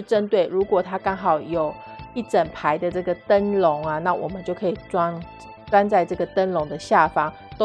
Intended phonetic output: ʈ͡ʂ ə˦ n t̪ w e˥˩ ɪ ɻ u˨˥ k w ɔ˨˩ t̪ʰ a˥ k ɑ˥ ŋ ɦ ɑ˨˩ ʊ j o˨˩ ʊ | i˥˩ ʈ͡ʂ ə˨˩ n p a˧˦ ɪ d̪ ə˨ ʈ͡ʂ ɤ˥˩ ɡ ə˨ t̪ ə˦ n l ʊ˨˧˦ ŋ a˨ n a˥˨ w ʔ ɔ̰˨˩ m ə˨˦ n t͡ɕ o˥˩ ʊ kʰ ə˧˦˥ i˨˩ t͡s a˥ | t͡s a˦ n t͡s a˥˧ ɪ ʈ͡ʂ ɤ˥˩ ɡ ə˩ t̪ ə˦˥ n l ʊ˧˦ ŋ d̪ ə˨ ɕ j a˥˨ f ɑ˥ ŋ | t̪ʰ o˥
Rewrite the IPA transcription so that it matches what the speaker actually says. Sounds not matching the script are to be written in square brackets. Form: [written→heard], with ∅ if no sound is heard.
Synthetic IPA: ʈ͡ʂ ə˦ n t̪ w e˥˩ ɪ ɻ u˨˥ k w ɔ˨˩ t̪ʰ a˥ k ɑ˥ ŋ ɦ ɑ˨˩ ʊ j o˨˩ ʊ | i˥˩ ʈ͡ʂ ə˨˩ n [p→pʰ] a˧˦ ɪ d̪ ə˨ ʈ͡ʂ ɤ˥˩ ɡ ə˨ t̪ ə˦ n l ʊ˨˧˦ ŋ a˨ n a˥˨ w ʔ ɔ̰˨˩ m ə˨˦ n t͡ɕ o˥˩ ʊ kʰ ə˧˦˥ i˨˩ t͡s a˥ | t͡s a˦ n t͡s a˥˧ ɪ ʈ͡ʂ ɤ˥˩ ɡ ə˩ t̪ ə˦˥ n l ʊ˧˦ ŋ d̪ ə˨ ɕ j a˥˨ f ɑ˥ ŋ | [t̪ʰ→t̪] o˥